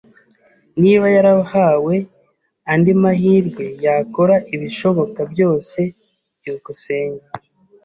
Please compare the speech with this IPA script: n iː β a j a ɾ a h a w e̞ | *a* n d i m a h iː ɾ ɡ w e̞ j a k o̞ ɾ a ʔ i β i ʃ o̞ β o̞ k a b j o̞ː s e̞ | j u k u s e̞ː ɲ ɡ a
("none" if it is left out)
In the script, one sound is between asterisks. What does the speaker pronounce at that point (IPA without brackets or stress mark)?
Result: a